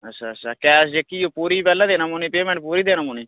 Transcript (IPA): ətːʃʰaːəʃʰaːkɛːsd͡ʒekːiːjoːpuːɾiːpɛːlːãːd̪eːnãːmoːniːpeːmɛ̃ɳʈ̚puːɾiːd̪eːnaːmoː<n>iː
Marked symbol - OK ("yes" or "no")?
yes